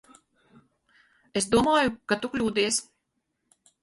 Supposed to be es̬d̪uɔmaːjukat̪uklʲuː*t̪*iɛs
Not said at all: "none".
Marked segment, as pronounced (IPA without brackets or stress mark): d̪